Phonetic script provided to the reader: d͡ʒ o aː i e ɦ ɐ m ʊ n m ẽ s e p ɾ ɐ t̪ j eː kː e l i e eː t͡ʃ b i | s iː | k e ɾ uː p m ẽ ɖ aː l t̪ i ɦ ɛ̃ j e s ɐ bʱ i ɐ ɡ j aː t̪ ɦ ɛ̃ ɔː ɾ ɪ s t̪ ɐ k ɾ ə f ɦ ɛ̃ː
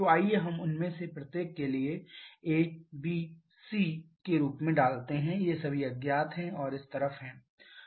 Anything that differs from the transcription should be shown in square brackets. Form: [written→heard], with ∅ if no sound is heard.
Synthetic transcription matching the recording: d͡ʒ o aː i e ɦ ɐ m ʊ n m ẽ s e p ɾ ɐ t̪ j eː kː e l i e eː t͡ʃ b i | s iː | k e ɾ uː p m ẽ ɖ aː l t̪ [i→e] ɦ ɛ̃ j e s ɐ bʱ i ɐ ɡ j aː t̪ ɦ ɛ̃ ɔː ɾ ɪ s t̪ ɐ [k→∅] ɾ ə f ɦ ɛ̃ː